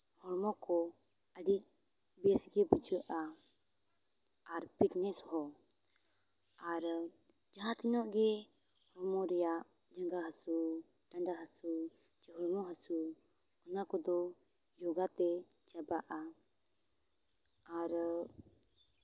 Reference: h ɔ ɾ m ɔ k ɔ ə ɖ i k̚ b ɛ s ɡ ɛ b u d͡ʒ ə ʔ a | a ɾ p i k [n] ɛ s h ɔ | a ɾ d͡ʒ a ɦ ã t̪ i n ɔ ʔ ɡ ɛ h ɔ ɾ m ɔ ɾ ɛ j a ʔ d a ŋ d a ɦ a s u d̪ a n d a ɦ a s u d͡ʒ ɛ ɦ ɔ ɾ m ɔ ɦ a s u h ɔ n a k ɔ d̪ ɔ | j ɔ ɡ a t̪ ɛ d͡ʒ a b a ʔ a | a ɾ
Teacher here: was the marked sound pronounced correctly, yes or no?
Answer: yes